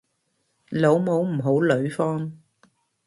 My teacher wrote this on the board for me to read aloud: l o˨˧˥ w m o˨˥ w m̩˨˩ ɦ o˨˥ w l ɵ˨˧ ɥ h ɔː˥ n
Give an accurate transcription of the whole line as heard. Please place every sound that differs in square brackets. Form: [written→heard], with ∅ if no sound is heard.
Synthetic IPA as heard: l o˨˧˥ w m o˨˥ w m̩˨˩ ɦ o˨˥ w l ɵ˨˧ ɥ [h→f] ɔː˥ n